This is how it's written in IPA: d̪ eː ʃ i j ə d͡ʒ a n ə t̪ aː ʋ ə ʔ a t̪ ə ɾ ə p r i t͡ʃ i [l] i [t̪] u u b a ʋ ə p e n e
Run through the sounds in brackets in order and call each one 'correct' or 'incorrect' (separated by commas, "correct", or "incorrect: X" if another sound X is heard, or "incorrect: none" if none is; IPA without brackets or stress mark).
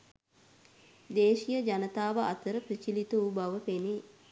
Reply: correct, correct